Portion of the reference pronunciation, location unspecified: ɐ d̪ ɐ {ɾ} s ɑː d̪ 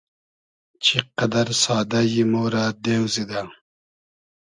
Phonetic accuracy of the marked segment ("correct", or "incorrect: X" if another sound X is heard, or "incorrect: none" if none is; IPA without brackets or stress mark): correct